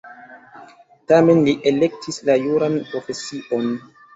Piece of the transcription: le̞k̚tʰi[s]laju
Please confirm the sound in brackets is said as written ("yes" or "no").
yes